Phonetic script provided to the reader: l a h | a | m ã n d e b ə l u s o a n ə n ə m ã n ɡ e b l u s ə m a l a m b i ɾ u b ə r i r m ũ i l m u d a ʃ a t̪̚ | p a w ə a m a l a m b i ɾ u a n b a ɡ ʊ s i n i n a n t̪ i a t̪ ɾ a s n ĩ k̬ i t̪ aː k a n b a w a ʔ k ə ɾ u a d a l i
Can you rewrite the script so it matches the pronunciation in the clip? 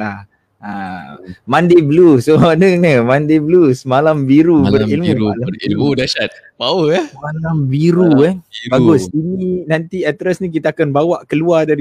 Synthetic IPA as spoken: l a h | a | m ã n d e b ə l u s o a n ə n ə m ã n d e b l u s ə m a l a m b i ɾ u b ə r i l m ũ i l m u d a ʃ a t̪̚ | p a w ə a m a l a m b i ɾ u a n b a ɡ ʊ s i n i n a n t̪ i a t̪ ɾ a s n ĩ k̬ i t̪ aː k a n b a w a ʔ k ə l u a d a ɾ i